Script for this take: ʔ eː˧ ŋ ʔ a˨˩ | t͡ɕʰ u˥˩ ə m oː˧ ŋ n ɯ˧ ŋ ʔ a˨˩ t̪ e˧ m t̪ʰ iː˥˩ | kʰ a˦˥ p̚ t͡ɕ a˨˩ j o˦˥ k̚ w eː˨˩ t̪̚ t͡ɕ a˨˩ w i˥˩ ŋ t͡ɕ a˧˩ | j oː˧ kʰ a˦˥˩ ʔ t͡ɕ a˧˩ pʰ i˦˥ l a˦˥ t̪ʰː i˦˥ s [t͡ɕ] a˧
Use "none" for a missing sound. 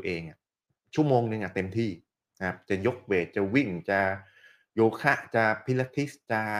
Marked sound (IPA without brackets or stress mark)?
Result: t͡ɕ